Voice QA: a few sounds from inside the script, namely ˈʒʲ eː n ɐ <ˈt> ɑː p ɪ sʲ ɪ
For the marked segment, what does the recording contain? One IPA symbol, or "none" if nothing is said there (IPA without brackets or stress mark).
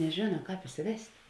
k